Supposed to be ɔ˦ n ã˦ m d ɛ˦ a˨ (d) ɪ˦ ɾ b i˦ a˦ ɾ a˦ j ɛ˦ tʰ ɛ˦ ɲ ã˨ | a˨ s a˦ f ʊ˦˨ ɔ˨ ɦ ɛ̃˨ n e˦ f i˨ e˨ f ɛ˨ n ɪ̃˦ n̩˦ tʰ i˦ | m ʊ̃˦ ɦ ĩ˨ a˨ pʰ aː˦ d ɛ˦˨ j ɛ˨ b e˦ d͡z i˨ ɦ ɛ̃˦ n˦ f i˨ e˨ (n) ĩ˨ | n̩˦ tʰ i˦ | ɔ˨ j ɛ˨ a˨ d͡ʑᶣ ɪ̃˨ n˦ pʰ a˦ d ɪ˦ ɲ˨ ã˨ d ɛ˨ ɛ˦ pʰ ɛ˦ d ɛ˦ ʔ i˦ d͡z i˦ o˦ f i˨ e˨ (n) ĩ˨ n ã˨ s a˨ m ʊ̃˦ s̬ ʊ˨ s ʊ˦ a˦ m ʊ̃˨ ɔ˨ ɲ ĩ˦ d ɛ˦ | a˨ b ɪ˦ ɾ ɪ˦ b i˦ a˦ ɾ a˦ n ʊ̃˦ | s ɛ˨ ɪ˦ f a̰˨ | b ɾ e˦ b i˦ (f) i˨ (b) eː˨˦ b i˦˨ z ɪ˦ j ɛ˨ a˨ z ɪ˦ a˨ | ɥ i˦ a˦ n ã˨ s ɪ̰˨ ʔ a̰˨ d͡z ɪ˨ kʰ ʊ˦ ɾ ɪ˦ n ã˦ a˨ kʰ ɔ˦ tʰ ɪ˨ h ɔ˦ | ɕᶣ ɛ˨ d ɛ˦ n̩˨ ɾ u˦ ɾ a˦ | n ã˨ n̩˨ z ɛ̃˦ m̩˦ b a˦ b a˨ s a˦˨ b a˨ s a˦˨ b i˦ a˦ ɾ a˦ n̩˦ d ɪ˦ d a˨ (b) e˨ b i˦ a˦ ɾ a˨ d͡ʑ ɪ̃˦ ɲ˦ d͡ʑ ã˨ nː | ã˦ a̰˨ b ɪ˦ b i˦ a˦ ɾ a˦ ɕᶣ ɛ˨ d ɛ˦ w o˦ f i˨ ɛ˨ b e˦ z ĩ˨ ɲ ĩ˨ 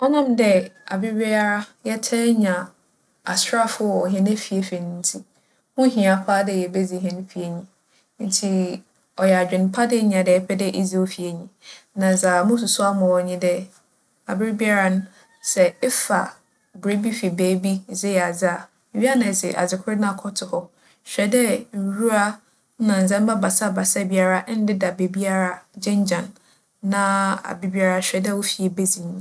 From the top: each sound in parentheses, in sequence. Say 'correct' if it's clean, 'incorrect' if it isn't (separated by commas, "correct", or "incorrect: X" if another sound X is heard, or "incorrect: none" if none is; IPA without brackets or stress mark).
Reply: incorrect: b, incorrect: ɲ, incorrect: ɲ, correct, correct, correct